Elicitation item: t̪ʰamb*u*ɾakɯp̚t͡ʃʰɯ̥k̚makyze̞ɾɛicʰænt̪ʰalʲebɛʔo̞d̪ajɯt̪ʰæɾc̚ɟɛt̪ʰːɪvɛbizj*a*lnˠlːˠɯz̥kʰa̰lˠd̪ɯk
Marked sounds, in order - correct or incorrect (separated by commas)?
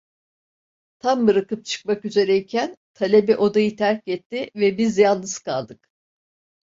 incorrect, correct